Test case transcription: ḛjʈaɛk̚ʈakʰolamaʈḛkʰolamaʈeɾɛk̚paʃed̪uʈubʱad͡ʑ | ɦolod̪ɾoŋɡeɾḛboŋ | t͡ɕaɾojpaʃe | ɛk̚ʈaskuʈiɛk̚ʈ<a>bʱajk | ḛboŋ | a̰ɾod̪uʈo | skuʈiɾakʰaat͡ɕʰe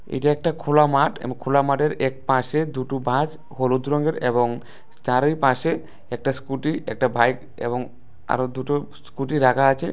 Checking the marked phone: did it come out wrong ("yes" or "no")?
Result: no